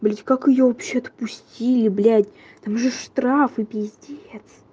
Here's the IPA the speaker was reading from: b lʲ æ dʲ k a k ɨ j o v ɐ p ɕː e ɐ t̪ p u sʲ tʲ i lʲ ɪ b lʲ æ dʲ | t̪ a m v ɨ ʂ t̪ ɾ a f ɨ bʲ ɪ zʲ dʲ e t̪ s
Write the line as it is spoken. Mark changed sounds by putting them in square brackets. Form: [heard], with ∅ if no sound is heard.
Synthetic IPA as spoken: b lʲ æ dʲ k a k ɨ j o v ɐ p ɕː e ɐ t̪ p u sʲ tʲ i lʲ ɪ b lʲ æ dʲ | t̪ a m [ʐ] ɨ ʂ t̪ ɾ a f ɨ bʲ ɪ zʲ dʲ e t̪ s